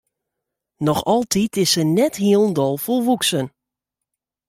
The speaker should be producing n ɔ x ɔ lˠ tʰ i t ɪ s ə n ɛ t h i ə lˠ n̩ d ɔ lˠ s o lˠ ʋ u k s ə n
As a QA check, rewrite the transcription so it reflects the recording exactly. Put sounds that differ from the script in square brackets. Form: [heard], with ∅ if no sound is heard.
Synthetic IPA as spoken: n ɔ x ɔ lˠ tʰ i t ɪ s ə n ɛ t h i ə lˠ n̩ d ɔ lˠ [f] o lˠ ʋ u k s ə n